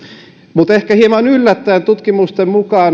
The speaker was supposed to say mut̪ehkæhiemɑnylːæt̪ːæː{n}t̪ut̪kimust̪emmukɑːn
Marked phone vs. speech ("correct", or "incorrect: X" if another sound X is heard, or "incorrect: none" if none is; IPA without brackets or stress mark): correct